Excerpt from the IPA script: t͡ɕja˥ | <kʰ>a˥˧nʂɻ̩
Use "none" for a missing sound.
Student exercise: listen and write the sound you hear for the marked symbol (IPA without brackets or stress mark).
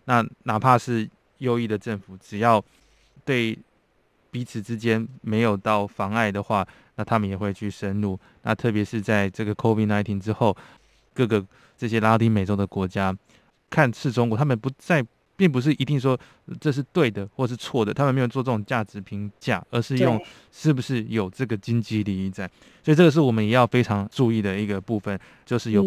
kʰ